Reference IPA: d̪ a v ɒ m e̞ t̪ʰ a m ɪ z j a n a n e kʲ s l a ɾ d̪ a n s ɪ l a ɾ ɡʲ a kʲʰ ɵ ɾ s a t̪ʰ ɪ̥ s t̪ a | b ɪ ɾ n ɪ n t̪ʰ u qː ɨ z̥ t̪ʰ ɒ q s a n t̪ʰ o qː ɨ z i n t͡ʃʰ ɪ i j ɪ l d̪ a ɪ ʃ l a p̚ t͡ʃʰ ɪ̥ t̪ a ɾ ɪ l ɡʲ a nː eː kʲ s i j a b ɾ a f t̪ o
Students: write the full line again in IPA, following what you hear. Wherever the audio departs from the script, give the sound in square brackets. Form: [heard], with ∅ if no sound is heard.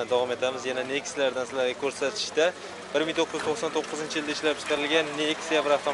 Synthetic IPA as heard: d̪ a v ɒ m e̞ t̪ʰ a m ɪ z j a n a n e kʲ s l a ɾ d̪ a n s ɪ l a ɾ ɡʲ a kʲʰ ɵ ɾ s a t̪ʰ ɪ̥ [ʃ] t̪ a | b ɪ ɾ [m] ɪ [ŋ] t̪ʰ [o] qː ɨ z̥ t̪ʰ [o] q s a n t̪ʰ o qː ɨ z [ɪ] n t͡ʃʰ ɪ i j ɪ l d̪ a ɪ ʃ l a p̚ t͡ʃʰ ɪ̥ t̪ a ɾ ɪ l ɡʲ a nː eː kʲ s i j a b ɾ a f t̪ o